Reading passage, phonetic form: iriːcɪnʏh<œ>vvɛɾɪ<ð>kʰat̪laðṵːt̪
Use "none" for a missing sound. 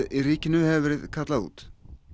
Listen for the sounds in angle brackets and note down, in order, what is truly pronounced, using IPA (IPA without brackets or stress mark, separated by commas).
ɛ, ð